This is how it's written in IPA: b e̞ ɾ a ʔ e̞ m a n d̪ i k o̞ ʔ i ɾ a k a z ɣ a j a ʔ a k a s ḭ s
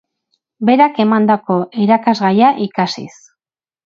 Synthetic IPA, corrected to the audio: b e̞ ɾ a k e̞ m a n d̪ a k o̞ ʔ i ɾ a k a z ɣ a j a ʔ i k a s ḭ s